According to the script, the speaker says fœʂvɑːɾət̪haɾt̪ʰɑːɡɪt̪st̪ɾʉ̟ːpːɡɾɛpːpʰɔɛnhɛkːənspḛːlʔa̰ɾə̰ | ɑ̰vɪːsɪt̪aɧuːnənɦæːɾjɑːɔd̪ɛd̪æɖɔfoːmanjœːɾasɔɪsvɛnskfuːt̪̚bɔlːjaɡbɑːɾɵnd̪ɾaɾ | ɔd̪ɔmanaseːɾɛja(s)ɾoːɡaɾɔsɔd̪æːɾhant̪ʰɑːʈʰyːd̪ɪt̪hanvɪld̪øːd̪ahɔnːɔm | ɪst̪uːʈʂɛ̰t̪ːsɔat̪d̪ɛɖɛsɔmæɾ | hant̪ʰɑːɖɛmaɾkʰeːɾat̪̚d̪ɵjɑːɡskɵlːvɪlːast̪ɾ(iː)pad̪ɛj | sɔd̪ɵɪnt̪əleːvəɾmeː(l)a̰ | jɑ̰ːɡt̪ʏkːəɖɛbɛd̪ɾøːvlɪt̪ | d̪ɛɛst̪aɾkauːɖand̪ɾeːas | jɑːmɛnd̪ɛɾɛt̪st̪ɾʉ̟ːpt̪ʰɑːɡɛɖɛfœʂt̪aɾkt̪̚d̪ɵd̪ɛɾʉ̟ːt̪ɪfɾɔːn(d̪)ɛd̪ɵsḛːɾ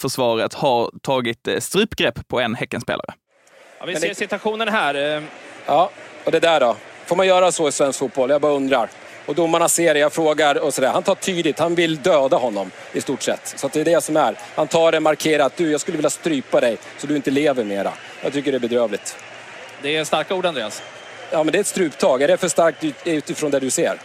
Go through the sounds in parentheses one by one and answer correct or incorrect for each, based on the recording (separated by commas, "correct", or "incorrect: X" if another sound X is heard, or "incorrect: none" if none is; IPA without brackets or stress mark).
incorrect: f, incorrect: yː, incorrect: ɾ, correct